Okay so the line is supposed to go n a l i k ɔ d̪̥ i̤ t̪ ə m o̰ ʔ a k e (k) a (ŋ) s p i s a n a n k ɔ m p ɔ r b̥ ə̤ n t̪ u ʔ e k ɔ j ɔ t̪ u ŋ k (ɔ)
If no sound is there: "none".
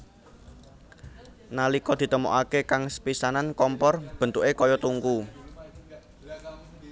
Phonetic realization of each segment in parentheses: k, ŋ, u

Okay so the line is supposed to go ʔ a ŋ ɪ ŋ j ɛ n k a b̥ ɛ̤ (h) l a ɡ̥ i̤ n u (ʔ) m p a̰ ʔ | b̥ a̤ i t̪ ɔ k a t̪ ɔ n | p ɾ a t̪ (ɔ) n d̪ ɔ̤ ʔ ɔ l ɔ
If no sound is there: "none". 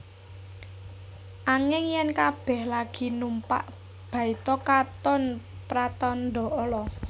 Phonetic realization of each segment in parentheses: h, none, ɔ

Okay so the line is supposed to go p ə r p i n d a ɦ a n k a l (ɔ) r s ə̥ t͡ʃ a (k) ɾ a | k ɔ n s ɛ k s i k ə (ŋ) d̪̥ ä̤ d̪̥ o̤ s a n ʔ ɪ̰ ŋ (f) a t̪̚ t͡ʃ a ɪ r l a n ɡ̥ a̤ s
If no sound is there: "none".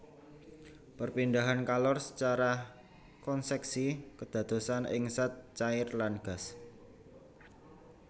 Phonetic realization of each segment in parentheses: ɔ, none, none, s

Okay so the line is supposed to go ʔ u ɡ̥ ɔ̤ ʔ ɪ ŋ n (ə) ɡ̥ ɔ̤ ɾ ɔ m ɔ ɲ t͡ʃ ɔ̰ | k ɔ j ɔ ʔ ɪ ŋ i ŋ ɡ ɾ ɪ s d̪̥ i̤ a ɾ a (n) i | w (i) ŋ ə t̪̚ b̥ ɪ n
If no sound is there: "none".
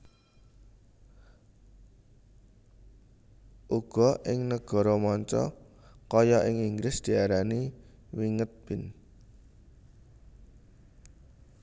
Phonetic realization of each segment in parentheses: ə, n, i

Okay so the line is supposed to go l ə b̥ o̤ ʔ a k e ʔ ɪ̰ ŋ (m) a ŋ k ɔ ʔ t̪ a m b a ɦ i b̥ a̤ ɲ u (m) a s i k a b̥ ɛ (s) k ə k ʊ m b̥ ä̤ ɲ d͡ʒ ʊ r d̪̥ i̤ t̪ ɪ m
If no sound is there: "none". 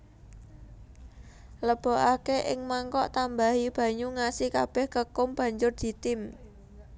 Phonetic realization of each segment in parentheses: m, ŋ, h

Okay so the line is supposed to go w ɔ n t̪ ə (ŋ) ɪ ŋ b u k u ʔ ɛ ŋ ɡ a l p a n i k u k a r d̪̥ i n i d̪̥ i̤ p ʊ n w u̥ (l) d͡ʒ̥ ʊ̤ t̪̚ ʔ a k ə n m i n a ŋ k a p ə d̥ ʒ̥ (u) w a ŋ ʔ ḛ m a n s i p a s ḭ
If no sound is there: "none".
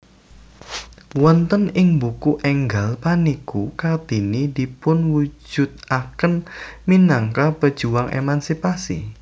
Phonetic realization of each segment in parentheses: n, none, u

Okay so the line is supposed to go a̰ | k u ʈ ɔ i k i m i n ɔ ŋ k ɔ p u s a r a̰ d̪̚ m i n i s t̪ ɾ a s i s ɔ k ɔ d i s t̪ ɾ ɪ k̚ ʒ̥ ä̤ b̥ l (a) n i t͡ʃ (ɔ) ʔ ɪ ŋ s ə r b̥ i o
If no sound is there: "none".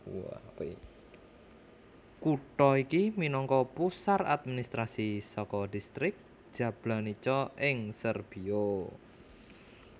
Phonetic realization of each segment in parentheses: a, ɔ

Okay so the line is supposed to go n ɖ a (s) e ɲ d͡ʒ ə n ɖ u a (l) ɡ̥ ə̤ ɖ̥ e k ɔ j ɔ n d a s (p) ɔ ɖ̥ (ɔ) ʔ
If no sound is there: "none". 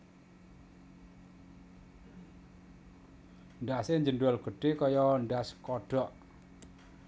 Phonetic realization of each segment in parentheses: s, l, k, ɔ

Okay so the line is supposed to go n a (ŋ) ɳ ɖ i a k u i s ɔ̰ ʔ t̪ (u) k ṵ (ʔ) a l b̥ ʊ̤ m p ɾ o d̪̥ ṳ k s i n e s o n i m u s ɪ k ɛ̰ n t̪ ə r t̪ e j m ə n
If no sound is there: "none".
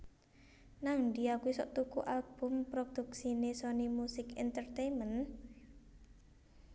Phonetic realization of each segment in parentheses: ŋ, u, ʔ

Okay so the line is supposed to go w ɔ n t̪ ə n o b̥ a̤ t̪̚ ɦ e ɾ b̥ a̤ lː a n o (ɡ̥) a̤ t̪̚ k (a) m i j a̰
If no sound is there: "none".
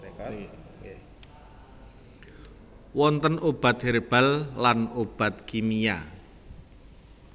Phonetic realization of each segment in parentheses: b̥, i

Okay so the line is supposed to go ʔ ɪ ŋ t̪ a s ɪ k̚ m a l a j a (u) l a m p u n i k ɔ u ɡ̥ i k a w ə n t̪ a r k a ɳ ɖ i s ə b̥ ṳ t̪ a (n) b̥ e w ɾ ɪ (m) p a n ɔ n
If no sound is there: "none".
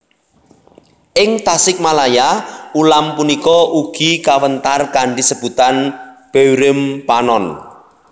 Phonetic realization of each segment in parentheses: u, n, m

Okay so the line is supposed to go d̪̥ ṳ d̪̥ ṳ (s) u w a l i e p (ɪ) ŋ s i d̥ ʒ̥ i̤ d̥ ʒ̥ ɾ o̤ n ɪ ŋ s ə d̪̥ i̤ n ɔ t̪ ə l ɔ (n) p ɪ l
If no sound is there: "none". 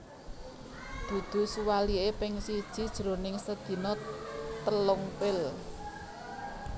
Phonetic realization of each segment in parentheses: s, ɪ, ŋ

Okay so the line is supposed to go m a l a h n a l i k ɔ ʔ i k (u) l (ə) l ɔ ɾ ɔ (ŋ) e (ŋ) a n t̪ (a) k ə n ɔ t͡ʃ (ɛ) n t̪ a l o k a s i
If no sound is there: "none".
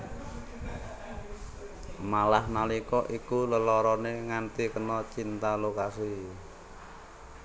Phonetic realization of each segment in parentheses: u, ə, n, ŋ, i, i

